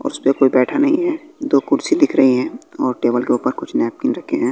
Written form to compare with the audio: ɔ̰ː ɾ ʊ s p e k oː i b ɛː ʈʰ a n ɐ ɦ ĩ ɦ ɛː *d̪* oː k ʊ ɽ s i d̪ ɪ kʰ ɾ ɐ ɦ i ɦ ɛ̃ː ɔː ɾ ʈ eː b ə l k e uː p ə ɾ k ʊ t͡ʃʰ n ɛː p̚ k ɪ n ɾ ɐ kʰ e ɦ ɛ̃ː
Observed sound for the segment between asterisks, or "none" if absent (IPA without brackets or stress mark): d̪